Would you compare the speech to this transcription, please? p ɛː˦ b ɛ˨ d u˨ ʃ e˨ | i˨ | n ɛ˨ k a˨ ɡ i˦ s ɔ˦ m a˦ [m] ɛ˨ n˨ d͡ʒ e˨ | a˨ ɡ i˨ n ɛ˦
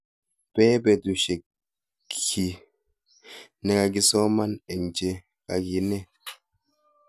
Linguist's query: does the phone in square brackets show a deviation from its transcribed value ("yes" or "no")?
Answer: yes